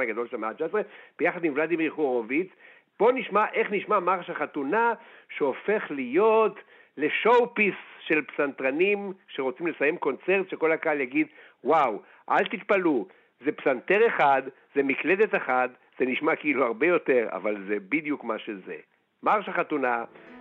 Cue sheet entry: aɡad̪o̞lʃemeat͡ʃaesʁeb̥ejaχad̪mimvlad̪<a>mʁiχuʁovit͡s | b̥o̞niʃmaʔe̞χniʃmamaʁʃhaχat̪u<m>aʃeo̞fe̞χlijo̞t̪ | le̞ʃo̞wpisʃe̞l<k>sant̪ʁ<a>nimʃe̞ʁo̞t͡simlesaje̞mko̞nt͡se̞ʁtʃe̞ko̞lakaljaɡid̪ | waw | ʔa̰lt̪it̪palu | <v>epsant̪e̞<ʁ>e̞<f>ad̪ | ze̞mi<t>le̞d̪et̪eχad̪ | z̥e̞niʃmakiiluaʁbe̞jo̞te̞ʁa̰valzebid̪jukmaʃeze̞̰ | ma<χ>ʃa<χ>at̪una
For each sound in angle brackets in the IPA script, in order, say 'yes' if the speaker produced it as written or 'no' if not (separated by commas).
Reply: no, no, no, yes, no, yes, no, no, no, yes